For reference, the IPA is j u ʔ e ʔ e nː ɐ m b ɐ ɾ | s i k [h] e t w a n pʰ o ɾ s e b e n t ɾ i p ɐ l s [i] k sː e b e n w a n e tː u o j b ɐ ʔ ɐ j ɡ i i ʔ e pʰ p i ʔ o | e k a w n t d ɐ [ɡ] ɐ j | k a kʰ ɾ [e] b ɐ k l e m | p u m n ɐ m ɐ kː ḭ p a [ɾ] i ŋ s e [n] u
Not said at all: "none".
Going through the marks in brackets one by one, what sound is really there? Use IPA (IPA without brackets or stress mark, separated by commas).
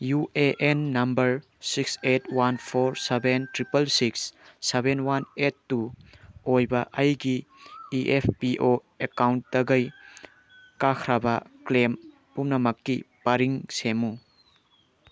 s, i, ɡ, a, ɾ, m